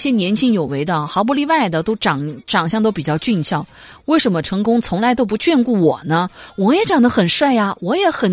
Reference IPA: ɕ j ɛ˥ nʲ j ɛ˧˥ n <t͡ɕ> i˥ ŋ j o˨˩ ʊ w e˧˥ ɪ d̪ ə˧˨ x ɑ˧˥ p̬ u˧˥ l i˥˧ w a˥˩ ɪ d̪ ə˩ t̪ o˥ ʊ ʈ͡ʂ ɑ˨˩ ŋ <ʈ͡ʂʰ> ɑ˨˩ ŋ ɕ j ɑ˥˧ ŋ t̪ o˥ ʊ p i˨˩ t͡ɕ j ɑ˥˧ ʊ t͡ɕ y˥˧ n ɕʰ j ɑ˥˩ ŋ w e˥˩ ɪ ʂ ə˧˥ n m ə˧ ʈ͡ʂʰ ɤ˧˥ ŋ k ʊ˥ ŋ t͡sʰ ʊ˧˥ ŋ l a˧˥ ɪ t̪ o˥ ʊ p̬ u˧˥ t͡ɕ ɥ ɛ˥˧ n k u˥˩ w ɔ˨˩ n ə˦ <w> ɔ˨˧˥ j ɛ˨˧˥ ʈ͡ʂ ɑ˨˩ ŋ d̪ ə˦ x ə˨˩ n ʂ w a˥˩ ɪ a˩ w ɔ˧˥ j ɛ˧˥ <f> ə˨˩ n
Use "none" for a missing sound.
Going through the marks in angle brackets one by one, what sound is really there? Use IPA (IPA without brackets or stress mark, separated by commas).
t͡ɕʰ, ʈ͡ʂ, w, x